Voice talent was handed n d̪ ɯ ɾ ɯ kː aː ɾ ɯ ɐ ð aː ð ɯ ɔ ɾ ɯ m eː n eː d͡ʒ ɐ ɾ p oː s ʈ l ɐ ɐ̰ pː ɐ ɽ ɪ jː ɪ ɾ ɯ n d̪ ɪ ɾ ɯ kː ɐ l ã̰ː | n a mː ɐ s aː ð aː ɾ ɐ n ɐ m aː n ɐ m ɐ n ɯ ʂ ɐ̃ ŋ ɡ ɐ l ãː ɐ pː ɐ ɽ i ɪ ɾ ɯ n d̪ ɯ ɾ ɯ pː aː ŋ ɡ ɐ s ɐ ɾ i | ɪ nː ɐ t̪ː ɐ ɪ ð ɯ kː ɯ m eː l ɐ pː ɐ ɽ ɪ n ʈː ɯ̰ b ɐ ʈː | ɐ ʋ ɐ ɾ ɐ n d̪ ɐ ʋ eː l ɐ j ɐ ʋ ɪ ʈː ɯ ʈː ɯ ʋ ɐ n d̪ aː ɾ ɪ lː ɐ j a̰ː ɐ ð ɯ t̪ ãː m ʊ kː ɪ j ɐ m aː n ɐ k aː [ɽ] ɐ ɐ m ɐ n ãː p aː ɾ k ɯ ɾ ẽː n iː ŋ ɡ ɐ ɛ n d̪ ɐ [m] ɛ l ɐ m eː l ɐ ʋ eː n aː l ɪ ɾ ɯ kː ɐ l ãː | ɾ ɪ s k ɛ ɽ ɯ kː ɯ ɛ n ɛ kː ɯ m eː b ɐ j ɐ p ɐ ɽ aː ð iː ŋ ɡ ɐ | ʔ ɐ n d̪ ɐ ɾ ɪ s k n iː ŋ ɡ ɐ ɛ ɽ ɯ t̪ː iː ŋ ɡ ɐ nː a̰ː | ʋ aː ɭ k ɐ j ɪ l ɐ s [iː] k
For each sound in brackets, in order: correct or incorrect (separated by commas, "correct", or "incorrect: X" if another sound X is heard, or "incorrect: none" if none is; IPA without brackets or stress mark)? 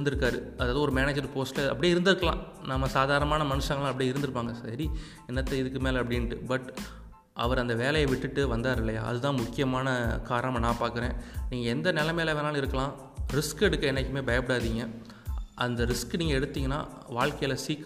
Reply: incorrect: ɾ, incorrect: n, correct